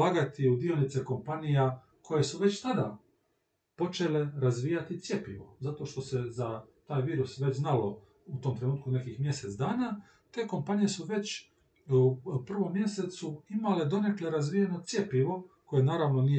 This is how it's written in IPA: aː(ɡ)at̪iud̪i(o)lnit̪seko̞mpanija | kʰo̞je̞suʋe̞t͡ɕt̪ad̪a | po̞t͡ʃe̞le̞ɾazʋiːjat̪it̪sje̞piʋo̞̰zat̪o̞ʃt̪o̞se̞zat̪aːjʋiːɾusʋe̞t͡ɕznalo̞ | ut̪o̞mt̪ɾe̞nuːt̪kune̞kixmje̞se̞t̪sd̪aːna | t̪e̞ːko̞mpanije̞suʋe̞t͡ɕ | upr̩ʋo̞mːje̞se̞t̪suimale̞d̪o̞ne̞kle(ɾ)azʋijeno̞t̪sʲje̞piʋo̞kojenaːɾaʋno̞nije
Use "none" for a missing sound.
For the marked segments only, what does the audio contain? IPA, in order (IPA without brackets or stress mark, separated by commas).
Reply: ɡ, o, ɾ